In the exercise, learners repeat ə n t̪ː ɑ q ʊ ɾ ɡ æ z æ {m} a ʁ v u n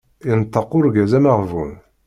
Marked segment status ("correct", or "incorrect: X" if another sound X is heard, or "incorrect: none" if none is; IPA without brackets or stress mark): correct